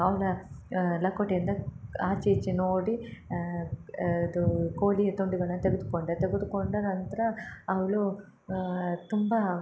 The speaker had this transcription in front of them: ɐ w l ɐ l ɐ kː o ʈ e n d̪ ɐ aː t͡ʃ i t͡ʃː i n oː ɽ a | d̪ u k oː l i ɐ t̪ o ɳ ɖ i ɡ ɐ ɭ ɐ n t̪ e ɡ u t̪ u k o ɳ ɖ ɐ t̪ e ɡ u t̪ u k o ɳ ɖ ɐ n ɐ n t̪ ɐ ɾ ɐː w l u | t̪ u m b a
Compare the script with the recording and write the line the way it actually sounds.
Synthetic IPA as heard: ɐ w l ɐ l ɐ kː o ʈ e n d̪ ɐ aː t͡ʃ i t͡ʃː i n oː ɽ i | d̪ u k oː l i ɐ t̪ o ɳ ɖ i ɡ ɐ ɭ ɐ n t̪ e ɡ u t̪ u k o ɳ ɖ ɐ t̪ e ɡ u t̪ u k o ɳ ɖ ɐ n ɐ n t̪ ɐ ɾ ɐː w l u | t̪ u m b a